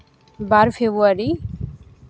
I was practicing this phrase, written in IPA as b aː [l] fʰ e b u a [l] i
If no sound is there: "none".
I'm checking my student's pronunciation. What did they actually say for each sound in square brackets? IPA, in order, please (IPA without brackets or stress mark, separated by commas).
ɾ, ɾ